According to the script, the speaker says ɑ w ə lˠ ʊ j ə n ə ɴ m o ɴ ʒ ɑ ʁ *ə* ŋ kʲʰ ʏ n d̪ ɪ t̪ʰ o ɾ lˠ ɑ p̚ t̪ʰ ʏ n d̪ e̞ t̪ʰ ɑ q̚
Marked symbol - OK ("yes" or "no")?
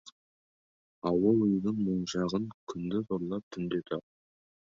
yes